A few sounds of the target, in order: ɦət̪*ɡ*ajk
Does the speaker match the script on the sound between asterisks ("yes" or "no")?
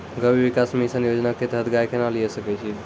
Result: yes